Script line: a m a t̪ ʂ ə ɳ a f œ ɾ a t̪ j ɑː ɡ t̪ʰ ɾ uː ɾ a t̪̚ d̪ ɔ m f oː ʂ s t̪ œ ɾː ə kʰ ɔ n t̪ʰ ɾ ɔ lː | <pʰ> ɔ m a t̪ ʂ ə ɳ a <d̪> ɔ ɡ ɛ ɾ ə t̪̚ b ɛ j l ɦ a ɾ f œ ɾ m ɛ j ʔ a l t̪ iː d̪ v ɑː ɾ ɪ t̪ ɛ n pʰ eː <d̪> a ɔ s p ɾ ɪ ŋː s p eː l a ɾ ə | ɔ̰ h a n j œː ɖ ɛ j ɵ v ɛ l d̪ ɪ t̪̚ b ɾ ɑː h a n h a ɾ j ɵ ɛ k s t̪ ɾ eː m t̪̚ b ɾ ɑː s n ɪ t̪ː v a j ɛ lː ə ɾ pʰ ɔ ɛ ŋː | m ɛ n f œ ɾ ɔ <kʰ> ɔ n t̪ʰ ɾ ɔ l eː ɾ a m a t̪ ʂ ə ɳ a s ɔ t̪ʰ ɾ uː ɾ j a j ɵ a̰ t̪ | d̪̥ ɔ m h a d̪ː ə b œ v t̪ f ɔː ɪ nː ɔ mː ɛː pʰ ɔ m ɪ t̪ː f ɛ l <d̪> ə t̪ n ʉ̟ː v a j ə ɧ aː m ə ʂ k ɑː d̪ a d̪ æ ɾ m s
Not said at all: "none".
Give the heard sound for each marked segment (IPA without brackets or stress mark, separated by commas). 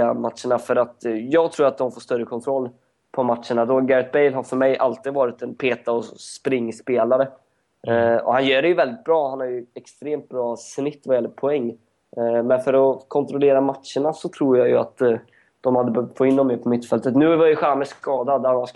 pʰ, d̪, t̪, kʰ, t̪